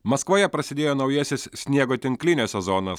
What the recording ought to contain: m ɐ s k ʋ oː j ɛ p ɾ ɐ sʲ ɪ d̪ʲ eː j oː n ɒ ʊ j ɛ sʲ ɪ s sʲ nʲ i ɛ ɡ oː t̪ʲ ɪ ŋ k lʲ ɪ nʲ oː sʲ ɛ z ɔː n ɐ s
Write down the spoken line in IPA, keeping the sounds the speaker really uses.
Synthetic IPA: m ɐ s k ʋ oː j ɛ p ɾ ɐ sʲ ɪ d̪ʲ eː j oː n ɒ ʊ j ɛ sʲ ɪ s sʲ nʲ i ɛ ɡ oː t̪ʲ ɪ ŋ k lʲ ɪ nʲ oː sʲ ɛ z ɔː n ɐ s